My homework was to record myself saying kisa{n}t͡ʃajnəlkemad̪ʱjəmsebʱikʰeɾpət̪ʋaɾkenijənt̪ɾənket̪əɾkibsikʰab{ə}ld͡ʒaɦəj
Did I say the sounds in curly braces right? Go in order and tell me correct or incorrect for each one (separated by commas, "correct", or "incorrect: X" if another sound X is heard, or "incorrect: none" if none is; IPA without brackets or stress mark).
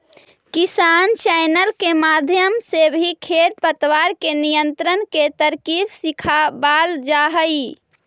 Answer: correct, incorrect: a